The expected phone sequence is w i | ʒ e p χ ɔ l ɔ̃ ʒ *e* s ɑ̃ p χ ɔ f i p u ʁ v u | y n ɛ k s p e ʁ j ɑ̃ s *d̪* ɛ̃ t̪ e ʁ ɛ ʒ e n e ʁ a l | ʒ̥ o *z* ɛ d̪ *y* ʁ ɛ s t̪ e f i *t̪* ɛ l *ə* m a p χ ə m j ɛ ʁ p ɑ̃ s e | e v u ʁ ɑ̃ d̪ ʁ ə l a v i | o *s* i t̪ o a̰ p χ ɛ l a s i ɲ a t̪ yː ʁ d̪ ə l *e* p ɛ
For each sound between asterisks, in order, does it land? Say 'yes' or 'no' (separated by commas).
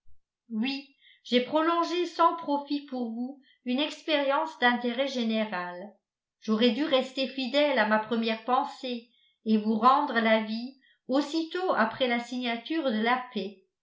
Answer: yes, yes, no, yes, no, no, yes, no